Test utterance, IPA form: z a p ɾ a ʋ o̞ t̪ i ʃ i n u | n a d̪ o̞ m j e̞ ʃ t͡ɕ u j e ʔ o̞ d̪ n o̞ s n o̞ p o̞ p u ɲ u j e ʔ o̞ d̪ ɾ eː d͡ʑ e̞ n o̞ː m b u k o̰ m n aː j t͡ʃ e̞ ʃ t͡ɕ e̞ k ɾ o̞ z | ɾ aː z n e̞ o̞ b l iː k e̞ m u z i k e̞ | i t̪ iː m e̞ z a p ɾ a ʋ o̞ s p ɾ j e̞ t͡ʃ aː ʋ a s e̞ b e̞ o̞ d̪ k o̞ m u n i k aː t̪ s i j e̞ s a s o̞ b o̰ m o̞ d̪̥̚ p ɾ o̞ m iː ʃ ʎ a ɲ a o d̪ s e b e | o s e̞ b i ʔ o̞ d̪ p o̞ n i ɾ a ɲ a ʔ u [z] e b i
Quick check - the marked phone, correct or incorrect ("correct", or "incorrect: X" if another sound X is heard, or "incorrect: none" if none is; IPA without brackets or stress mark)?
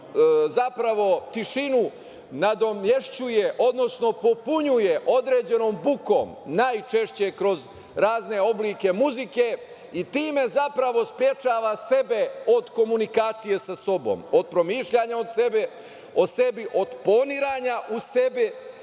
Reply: incorrect: s